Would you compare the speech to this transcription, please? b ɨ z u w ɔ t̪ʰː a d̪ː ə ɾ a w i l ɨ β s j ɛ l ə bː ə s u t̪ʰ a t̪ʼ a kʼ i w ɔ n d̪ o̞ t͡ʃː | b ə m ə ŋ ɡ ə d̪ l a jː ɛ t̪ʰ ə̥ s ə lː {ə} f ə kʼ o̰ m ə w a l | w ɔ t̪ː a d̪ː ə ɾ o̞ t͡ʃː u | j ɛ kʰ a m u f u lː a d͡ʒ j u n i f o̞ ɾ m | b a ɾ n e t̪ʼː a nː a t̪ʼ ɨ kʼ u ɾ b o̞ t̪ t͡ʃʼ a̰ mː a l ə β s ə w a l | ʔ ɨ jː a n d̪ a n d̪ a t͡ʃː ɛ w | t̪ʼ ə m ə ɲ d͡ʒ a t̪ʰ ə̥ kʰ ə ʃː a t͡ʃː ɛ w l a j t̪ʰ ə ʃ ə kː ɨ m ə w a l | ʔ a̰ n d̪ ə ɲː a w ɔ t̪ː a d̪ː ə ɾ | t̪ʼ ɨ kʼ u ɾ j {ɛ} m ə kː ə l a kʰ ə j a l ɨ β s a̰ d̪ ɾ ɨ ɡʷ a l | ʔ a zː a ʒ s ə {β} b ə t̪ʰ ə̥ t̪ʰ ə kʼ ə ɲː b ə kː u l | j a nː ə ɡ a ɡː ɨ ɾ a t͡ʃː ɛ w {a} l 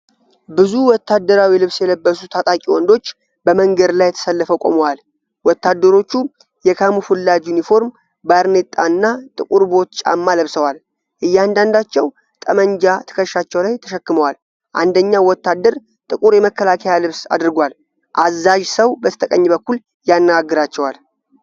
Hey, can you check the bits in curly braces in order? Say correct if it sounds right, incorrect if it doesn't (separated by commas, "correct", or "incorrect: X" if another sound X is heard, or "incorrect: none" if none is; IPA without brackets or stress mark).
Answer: correct, correct, incorrect: w, correct